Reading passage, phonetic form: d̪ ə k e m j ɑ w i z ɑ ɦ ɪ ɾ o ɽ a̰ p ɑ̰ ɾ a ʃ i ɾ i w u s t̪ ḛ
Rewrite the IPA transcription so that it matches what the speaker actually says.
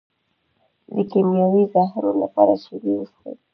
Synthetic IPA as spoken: d̪ ə k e m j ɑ w i z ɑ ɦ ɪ ɾ o l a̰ p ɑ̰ ɾ a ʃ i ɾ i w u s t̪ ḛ

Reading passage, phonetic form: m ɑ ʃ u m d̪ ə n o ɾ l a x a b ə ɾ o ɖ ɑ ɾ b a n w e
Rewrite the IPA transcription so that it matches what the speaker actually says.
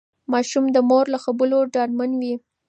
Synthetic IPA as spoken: m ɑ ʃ u m d̪ ə m o ɾ l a x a b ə l o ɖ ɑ ɾ m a n w i

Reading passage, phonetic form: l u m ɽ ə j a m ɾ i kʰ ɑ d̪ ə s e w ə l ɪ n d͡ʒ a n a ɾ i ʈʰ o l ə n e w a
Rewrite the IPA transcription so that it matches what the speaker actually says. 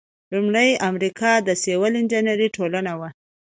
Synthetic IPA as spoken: l u m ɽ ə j a m ɾ i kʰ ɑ d̪ ə s e w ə l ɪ n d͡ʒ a n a ɾ i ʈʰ o l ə n a w a

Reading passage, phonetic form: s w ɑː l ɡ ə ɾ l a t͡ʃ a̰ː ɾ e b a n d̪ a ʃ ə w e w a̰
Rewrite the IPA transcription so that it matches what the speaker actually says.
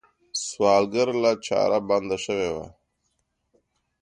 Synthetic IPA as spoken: s w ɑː l ɡ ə ɾ l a t͡ʃ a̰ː ɾ a b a n d̪ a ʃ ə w e w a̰

